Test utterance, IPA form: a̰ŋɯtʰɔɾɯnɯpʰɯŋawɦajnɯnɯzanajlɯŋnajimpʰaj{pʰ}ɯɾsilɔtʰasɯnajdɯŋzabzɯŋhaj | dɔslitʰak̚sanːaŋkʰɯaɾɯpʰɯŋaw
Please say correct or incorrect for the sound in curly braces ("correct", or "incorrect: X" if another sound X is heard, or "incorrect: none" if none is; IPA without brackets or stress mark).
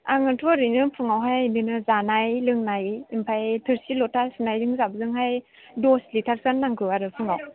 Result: incorrect: tʰ